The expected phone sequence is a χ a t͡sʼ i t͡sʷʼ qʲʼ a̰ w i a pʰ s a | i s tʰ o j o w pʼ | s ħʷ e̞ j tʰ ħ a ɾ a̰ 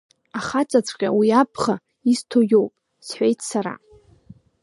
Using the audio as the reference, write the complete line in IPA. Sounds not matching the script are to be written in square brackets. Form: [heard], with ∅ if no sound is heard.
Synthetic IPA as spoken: a χ a t͡sʼ [a] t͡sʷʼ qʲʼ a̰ w i a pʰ [χ] a | i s tʰ o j o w pʼ | s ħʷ e̞ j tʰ [s] a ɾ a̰